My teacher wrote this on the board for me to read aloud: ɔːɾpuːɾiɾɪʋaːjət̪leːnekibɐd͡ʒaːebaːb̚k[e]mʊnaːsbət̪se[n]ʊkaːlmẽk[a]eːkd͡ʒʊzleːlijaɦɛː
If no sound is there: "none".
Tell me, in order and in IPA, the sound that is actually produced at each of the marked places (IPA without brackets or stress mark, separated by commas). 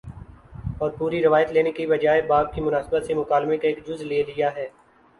i, m, a